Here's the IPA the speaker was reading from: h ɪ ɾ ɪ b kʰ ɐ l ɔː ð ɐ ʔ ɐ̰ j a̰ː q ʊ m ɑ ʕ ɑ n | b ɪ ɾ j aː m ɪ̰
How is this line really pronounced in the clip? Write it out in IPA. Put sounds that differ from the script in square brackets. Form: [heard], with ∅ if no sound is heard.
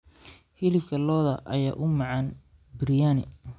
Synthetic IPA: h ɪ [l] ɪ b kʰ ɐ l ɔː ð ɐ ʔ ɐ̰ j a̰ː [ʔ] ʊ m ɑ ʕ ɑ n | b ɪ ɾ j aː [n] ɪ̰